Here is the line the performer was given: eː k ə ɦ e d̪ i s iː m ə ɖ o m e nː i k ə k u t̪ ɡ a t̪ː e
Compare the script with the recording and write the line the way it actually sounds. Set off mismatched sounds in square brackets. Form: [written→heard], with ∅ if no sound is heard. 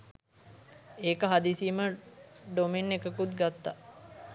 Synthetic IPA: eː k ə ɦ [e→a] d̪ i s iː m ə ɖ o m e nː [i→e] k ə k u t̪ ɡ a t̪ː [e→a]